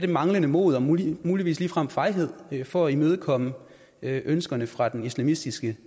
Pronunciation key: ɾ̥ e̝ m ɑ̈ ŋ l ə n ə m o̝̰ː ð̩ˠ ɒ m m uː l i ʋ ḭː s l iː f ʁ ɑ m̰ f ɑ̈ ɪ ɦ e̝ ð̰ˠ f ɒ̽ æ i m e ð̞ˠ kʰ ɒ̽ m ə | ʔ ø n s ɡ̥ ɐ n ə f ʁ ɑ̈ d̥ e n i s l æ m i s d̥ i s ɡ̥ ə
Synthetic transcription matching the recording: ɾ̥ e̝ m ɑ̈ ŋ l ə n ə m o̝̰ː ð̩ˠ ɒ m m uː l i ʋ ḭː s l iː f ʁ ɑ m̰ f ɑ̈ ɪ ɦ e̝ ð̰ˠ f ɒ̽ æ i m e ð̞ˠ kʰ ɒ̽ m ə | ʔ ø n s ɡ̥ ɐ n ə f ʁ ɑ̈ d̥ e n i s l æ m i s d̥ i s ɡ̥ ə